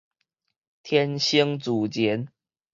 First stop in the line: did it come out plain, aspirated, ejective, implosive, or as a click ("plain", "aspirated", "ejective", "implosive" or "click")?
aspirated